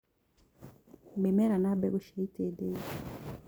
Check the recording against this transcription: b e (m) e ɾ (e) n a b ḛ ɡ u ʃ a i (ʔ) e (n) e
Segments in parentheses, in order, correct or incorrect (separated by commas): correct, incorrect, incorrect, incorrect